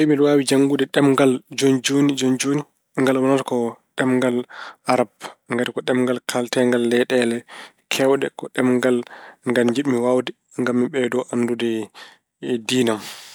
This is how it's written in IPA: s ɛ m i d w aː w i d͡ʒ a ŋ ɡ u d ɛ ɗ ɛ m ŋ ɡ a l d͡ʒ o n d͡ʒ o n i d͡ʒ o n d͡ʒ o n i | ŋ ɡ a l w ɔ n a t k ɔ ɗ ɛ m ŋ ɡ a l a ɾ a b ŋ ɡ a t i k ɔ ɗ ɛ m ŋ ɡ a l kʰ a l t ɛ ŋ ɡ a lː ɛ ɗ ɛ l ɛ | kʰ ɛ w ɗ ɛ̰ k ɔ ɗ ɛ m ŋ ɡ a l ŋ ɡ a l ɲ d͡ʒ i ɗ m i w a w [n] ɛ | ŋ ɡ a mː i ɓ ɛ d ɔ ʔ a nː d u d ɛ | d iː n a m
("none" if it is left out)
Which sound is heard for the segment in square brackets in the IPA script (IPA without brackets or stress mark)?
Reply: d